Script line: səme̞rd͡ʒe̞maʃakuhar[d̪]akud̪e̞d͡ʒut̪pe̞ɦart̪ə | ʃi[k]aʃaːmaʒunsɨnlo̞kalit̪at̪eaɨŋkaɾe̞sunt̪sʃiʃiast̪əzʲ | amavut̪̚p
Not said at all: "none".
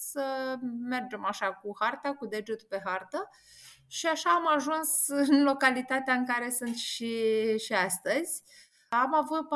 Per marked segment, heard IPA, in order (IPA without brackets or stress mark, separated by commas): t̪, none